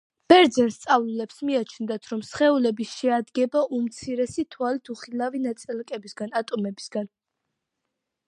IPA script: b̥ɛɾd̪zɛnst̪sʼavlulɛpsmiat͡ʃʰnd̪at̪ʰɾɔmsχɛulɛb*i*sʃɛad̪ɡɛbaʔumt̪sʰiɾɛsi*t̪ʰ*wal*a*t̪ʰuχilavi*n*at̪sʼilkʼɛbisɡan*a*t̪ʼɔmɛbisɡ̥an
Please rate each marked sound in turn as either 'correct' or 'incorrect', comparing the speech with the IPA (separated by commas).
correct, correct, incorrect, correct, correct